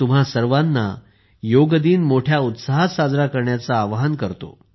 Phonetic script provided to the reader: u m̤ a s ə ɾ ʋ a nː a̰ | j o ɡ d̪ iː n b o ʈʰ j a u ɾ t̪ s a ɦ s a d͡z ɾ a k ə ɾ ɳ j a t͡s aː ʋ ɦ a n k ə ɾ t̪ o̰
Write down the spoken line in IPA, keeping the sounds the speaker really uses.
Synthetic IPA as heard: u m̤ a s ə ɾ ʋ a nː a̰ | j o ɡ d̪ iː n m o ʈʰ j a u t̪ s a ɦ s a d͡z ɾ a k ə ɾ ɳ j a t͡s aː ʋ ɦ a n k ə ɾ t̪ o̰